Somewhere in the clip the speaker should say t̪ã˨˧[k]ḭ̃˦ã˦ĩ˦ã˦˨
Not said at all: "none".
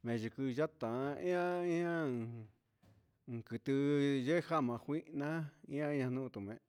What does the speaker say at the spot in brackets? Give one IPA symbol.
none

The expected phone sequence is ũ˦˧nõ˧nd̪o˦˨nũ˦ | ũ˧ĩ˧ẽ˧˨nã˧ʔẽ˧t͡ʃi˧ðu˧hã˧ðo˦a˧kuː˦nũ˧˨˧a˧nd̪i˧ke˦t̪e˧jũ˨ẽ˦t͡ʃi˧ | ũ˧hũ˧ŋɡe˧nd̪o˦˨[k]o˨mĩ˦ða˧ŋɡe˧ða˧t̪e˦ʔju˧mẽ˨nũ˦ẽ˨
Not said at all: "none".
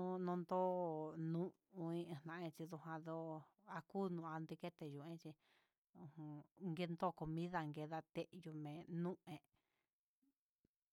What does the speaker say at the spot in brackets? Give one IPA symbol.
k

